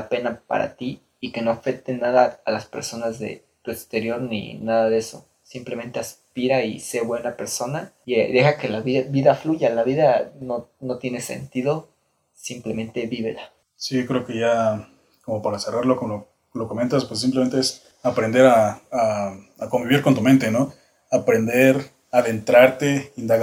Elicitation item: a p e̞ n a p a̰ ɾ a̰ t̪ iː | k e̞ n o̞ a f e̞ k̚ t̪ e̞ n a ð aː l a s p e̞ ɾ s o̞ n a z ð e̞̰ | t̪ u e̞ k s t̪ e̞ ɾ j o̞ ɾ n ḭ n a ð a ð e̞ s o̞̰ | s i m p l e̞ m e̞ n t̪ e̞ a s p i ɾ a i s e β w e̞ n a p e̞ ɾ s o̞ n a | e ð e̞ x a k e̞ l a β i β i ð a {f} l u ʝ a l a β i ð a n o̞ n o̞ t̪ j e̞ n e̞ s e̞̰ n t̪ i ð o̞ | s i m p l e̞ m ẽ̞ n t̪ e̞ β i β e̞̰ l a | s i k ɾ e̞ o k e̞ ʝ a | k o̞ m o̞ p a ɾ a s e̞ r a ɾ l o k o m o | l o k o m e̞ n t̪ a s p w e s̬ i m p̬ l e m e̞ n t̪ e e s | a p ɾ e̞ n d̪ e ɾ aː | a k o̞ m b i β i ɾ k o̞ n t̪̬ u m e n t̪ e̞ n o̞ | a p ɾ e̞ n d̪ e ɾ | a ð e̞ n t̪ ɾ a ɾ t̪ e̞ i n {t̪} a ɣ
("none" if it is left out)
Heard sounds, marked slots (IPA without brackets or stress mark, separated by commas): f, d̪